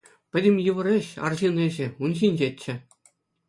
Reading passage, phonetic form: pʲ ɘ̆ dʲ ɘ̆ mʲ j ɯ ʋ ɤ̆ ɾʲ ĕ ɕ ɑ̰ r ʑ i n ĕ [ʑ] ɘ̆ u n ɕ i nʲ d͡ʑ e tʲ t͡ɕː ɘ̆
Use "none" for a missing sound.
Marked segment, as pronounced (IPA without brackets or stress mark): ʑ